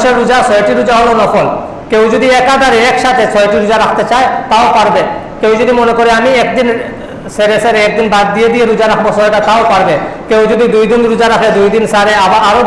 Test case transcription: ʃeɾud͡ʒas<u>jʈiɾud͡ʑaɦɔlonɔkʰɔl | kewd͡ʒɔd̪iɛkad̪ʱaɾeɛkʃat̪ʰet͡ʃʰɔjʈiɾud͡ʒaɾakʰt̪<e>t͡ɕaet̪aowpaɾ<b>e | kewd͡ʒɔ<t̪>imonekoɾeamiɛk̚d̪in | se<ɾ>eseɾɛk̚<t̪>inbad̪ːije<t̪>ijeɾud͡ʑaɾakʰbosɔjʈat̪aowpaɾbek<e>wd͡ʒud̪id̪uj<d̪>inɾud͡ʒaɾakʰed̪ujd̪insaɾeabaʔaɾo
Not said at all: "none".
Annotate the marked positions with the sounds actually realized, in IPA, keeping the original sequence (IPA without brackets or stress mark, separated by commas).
ɔ, e, b, d̪, ɾ, d̪, d̪, e, d̪